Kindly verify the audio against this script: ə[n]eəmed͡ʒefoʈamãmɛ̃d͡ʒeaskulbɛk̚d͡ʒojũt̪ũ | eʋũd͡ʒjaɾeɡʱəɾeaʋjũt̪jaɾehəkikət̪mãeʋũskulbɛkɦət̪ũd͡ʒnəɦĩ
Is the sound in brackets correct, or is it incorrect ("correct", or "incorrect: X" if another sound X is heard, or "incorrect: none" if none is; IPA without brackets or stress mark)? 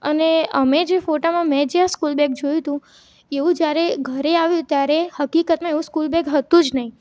correct